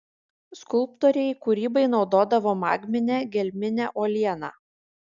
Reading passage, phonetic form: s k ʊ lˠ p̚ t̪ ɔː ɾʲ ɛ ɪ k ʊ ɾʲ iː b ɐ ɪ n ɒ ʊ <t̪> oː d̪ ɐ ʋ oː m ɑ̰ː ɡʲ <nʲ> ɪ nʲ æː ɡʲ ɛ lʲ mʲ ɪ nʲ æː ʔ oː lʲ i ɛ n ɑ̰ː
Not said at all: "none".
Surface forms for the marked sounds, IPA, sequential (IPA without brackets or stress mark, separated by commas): d̪, mʲ